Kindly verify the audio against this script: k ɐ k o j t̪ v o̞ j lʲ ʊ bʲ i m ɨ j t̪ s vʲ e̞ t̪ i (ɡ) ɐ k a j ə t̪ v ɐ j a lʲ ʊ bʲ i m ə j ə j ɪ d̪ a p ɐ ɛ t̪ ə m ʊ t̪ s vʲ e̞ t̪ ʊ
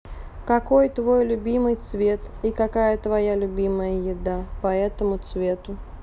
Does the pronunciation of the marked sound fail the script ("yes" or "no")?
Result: yes